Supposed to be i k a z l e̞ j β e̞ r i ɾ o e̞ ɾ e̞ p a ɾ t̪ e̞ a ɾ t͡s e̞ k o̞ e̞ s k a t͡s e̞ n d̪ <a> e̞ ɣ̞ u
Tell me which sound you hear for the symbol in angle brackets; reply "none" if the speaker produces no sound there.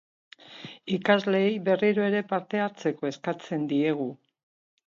i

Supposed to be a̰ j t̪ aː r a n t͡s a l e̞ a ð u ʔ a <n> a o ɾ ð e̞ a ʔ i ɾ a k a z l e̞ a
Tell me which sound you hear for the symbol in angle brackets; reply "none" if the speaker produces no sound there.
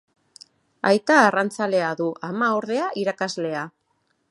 m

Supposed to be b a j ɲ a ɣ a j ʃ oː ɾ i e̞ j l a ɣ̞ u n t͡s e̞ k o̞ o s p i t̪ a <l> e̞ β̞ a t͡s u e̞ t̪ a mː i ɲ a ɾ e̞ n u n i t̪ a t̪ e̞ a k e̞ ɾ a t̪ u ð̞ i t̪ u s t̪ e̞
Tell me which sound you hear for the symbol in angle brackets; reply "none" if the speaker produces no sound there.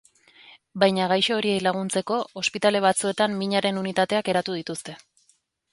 l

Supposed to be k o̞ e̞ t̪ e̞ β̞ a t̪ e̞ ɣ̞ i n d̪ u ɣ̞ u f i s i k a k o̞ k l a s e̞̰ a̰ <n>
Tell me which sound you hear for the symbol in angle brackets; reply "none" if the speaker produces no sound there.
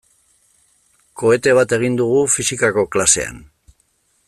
n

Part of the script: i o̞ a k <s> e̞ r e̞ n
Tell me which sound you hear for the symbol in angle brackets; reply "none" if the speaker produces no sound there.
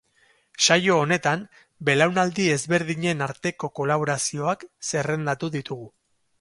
s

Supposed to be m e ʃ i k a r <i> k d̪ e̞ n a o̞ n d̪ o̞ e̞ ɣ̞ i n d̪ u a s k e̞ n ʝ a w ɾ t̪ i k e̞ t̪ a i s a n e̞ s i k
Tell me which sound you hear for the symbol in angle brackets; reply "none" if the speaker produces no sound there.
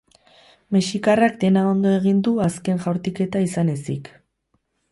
a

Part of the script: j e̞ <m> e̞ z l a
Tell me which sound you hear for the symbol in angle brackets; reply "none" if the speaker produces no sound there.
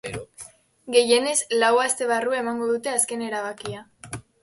n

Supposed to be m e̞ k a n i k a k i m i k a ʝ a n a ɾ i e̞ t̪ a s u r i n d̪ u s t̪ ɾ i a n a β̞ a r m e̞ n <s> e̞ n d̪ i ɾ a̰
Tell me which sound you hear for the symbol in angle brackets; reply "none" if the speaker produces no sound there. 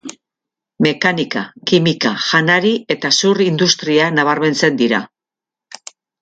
t͡s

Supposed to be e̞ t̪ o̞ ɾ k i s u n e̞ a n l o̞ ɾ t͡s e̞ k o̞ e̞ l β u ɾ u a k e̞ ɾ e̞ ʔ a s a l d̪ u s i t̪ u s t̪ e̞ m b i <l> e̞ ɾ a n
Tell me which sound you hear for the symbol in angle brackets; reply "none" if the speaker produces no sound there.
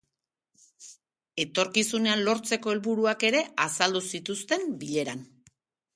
ʎ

